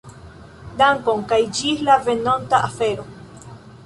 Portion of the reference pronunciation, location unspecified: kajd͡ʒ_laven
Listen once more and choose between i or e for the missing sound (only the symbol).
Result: i